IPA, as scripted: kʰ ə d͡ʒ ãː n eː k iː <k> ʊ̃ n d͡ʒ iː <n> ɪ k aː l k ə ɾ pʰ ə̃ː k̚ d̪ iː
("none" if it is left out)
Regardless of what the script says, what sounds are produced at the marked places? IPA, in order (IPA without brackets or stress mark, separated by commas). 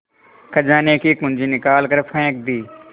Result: k, n